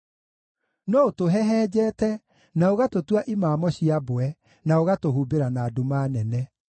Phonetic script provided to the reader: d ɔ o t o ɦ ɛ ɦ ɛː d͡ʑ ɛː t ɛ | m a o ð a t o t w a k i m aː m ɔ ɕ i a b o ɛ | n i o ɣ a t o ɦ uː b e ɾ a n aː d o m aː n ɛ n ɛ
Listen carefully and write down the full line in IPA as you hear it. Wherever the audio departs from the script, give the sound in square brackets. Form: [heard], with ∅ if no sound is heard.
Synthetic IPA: [n] ɔ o t o ɦ ɛ ɦ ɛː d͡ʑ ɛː t ɛ | [n] a o [ɣ] a t o t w a [ʔ] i m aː m ɔ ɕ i a b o ɛ | n [a] o ɣ a t o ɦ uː b e ɾ a n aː d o m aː n ɛ n ɛ